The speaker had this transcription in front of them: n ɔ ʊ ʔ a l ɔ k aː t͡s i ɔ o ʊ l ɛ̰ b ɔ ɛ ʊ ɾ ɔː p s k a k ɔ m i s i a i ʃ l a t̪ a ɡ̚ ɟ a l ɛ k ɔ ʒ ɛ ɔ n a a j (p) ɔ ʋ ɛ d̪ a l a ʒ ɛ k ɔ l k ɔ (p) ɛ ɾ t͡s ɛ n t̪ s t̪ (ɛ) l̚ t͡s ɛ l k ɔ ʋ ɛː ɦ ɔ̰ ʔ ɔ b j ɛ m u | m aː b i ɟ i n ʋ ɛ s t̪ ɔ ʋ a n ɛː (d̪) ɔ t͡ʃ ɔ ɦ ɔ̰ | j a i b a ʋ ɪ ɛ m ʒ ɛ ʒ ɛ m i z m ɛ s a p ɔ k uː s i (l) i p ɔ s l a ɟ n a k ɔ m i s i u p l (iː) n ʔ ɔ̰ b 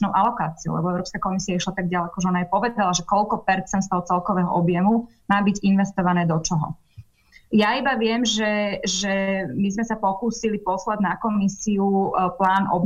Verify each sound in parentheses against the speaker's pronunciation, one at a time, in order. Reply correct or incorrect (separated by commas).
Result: correct, correct, correct, correct, correct, incorrect